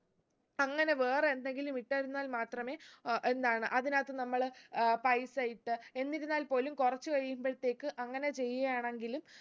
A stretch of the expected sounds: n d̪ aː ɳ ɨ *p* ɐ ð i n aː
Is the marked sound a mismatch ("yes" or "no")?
yes